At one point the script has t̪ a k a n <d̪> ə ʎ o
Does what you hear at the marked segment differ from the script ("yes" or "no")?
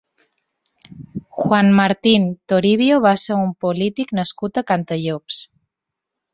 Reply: yes